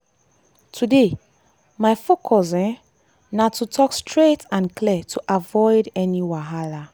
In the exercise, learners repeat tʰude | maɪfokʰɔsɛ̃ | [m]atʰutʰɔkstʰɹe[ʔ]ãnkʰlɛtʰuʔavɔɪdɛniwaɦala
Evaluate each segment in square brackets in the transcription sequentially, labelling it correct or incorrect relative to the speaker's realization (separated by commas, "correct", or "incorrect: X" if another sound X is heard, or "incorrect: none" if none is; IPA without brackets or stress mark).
incorrect: n, incorrect: t